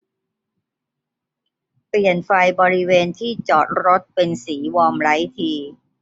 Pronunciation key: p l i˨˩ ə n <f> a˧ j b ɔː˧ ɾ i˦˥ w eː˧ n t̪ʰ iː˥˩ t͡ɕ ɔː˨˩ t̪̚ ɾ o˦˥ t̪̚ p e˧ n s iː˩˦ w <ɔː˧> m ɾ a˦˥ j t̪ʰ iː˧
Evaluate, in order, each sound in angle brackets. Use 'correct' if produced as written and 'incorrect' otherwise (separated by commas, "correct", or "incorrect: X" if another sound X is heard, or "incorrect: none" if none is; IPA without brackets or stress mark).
correct, correct